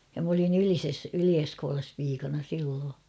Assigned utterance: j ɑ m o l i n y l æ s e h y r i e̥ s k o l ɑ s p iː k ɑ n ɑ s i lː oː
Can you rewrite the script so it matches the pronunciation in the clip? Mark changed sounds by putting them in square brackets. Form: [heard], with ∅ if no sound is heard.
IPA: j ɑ m o l i n y l [i] s e [s] y [l] i e̥ s k [oː] l ɑ s p iː k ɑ n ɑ s i lː oː